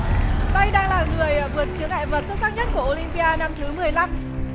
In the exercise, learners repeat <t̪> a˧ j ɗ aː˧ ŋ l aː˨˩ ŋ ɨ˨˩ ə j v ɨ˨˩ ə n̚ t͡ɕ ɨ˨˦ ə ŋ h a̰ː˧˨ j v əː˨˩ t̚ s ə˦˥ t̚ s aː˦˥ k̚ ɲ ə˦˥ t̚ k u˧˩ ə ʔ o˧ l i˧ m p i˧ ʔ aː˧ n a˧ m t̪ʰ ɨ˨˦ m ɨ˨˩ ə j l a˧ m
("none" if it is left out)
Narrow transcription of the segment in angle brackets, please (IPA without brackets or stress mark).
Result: t̪